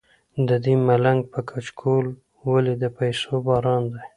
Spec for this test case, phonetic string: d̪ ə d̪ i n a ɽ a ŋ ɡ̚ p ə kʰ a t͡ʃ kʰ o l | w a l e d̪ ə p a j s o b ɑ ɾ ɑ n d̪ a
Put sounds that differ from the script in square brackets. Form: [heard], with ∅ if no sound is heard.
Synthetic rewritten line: d̪ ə d̪ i [m] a [l] a ŋ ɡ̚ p ə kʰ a t͡ʃ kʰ o l | w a l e d̪ ə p a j s o b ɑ ɾ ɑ n d̪ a